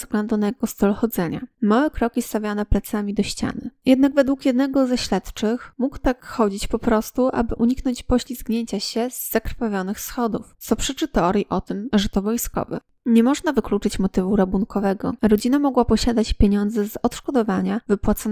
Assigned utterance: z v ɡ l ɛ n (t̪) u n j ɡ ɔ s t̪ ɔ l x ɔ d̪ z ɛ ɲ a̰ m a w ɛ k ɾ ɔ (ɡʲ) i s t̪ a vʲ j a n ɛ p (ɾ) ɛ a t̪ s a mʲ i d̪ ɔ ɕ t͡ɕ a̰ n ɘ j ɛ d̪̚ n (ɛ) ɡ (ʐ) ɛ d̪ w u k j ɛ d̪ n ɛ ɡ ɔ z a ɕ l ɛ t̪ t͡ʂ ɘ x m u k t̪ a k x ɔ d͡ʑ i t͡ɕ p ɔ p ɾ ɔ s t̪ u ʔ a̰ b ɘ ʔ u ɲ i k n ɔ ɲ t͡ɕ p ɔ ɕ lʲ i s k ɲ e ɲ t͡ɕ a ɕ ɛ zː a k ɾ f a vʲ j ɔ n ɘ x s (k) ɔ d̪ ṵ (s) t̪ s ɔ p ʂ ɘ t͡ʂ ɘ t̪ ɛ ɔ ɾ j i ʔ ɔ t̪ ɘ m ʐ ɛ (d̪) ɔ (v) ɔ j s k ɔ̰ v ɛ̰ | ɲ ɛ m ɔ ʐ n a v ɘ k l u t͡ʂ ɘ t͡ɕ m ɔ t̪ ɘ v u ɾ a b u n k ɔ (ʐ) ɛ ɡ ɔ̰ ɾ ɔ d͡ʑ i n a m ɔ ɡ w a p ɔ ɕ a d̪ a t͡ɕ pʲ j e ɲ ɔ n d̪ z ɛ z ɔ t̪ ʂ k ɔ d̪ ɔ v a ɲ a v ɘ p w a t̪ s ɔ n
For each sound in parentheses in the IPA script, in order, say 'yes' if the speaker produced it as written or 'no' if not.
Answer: no, no, no, no, no, no, no, no, yes, no

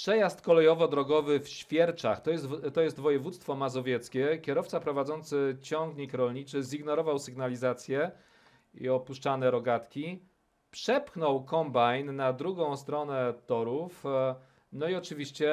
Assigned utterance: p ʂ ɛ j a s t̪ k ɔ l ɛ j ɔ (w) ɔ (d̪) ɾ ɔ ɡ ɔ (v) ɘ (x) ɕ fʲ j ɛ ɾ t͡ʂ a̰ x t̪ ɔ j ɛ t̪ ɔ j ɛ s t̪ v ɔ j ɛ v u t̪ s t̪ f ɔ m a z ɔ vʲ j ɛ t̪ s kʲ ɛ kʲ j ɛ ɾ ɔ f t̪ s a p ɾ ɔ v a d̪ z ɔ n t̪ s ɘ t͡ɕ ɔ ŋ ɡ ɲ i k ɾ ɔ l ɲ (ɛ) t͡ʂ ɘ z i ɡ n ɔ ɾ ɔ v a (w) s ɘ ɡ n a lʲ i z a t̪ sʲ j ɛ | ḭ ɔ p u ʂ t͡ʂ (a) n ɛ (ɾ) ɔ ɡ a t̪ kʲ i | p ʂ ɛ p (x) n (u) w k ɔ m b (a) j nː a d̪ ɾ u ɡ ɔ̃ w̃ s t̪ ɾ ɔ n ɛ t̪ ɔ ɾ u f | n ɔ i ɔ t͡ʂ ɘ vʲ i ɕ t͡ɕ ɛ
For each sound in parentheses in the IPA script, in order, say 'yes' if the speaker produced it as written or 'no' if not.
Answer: no, yes, yes, no, no, yes, yes, yes, yes, no, yes

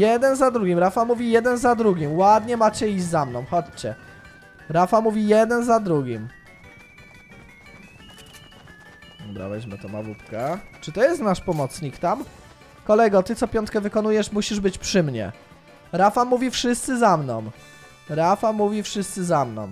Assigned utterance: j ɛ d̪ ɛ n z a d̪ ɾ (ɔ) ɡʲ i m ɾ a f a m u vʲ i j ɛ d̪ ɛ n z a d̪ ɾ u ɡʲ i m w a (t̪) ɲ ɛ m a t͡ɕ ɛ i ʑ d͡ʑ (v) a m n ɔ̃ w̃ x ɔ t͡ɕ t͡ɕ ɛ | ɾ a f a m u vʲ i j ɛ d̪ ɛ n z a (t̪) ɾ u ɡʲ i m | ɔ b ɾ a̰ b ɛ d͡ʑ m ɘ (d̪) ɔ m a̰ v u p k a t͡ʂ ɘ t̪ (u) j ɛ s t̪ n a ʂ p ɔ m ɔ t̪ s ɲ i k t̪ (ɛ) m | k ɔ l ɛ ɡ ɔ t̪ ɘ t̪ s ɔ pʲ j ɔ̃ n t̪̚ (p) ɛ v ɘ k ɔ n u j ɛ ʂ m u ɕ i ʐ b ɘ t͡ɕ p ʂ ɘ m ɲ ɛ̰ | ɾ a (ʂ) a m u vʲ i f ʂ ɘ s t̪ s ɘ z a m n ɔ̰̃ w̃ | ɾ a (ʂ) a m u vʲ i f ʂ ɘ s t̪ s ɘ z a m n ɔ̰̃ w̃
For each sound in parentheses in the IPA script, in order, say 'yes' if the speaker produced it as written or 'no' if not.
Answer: no, no, no, no, no, no, no, no, no, no

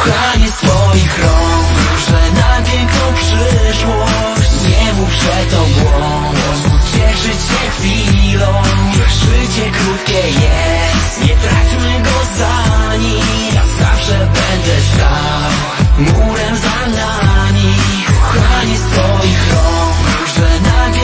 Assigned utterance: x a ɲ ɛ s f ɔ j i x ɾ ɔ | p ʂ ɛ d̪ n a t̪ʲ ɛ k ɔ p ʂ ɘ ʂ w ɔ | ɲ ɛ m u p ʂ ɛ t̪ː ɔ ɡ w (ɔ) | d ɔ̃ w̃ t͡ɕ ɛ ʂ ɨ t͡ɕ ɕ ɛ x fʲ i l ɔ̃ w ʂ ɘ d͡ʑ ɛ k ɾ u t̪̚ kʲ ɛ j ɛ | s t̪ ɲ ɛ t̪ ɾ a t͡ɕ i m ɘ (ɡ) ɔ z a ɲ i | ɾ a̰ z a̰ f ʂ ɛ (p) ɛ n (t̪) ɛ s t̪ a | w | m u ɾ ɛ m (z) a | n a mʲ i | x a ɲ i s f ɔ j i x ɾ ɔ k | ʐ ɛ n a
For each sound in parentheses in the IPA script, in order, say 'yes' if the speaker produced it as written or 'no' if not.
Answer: yes, yes, no, no, yes

